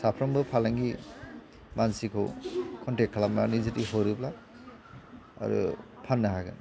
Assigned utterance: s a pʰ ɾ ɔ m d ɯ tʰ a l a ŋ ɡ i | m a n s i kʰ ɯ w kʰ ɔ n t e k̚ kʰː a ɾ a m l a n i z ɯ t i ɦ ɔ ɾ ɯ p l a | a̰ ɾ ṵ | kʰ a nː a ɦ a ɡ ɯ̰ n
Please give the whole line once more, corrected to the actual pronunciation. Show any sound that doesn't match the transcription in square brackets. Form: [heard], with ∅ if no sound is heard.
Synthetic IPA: s a pʰ ɾ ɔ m [b] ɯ [pʰ] a l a ŋ ɡ i | m a n s i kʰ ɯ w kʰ ɔ n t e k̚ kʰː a [l] a m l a n i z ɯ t i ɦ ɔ ɾ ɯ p l a | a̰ ɾ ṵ | [pʰ] a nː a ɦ a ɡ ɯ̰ n